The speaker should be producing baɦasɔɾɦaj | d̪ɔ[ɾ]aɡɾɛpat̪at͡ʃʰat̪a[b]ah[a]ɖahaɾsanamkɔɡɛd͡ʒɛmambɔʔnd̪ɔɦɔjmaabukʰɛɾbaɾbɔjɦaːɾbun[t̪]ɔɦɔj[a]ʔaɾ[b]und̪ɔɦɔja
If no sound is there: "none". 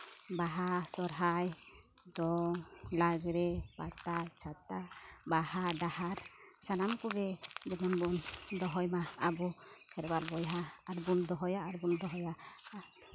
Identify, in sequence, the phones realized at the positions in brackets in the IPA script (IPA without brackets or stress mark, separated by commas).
l, b, a, d̪, a, b